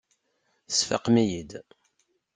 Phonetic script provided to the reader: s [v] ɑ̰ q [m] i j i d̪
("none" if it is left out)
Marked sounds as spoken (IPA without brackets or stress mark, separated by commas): f, m